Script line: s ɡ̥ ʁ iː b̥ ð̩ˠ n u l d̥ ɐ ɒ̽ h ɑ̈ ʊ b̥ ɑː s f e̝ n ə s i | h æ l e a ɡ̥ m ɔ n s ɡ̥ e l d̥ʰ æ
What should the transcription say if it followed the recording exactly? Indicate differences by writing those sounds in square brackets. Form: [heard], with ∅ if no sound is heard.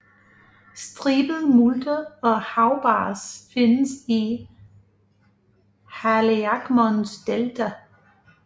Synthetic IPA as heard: s [d̥] ʁ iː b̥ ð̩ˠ [m] u l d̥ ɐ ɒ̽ h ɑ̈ ʊ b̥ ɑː s f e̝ n ə s i | h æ l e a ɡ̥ m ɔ n s [d̥] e l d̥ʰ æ